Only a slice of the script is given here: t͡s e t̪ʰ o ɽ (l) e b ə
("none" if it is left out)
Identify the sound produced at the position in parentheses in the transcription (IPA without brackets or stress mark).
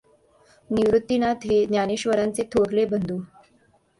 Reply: l